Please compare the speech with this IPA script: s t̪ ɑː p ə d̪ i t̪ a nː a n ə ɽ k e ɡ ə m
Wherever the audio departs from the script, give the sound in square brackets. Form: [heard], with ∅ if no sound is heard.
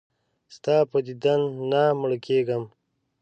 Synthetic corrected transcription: s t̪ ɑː p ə d̪ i [d̪] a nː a [m] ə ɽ k e ɡ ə m